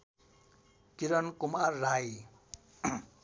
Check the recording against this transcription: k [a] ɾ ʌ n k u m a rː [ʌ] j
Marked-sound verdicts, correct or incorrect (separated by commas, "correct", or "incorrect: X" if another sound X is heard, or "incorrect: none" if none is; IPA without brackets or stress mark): incorrect: i, incorrect: a